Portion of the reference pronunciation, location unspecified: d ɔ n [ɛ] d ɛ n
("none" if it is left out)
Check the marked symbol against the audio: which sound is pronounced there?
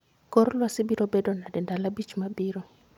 a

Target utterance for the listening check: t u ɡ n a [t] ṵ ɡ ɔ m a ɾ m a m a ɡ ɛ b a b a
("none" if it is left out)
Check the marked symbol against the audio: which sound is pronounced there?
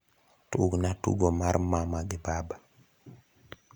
t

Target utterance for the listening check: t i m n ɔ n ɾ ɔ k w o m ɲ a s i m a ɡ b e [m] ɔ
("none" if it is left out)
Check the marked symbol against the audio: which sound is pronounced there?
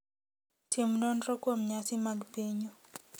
ɲ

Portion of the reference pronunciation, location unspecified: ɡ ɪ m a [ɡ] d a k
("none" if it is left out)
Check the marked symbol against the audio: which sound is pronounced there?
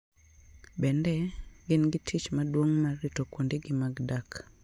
ɡ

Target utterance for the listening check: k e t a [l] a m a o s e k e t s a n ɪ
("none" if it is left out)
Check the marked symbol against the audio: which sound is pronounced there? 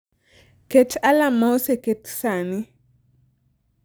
l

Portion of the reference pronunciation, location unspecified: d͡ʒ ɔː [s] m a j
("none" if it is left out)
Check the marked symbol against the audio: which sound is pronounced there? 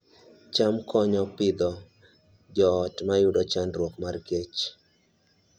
t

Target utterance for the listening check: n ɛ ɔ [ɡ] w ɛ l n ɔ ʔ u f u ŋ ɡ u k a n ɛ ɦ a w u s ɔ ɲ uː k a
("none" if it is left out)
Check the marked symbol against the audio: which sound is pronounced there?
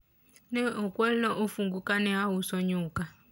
k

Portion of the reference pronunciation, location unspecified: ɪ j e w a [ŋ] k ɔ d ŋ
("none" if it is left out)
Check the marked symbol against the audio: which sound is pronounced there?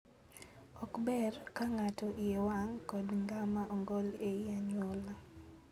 ŋ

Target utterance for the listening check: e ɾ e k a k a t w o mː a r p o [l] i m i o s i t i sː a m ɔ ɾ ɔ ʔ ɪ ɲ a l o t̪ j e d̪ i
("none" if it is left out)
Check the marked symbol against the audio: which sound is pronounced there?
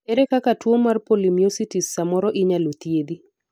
l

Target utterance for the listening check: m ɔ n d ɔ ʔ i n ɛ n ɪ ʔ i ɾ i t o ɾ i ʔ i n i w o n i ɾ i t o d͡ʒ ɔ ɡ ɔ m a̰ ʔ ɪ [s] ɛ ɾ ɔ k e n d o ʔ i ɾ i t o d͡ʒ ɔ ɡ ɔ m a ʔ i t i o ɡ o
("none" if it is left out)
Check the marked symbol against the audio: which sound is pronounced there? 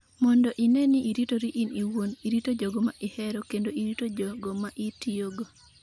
h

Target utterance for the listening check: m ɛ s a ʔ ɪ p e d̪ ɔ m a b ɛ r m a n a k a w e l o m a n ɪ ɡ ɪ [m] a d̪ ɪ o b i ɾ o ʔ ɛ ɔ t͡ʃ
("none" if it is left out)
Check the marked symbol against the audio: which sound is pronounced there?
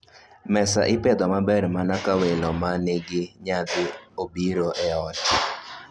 ɲ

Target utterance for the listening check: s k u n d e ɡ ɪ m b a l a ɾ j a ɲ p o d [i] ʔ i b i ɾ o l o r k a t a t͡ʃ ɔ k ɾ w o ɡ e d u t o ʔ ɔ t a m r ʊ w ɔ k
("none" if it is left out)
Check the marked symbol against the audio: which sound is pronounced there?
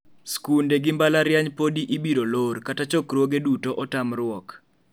i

